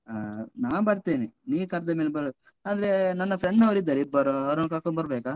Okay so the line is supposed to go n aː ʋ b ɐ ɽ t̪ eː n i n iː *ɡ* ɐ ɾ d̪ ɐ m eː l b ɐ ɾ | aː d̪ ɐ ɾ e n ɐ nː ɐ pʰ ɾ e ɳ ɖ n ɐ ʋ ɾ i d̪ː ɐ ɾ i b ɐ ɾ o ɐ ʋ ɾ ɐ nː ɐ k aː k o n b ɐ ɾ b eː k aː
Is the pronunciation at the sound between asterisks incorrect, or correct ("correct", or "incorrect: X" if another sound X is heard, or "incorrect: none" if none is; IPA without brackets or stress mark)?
incorrect: k